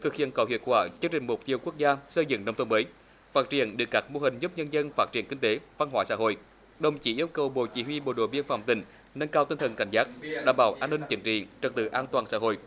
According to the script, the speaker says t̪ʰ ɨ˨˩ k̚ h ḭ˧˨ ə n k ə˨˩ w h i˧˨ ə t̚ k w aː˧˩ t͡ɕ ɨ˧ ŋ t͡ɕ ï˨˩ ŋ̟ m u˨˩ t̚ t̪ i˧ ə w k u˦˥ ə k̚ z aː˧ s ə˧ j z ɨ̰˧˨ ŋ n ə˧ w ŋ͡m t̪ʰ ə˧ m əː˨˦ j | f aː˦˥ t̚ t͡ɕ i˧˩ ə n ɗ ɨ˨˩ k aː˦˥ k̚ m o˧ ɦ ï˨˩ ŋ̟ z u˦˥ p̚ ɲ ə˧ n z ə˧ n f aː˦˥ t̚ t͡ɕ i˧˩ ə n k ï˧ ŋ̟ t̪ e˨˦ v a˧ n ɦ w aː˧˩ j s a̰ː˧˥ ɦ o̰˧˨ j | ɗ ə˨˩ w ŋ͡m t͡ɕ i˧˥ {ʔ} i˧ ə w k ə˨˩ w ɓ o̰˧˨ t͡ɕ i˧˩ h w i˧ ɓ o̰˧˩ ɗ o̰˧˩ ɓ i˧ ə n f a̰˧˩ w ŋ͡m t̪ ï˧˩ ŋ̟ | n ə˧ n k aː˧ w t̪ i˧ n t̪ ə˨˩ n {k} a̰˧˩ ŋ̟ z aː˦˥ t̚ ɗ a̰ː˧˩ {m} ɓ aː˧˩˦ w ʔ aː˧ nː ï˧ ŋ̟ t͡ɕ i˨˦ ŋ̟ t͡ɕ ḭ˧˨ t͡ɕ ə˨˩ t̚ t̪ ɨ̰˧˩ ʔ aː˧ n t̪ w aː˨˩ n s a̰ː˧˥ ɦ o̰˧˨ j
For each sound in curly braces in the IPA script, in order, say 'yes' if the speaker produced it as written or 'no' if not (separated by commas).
yes, yes, yes